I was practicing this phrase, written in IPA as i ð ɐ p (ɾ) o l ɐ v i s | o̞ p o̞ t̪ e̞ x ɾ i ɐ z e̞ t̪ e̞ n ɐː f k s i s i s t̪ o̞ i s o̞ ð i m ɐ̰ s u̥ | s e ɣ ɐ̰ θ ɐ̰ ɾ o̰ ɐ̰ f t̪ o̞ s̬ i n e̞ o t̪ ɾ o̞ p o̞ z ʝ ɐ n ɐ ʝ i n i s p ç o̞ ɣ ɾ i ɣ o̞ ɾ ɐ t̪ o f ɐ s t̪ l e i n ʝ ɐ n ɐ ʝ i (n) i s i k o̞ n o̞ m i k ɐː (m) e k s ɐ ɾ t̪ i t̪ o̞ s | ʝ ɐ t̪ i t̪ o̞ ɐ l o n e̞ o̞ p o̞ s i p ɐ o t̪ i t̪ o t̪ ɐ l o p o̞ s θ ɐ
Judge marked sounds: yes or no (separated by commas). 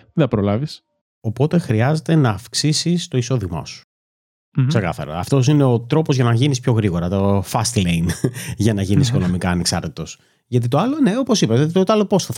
yes, yes, no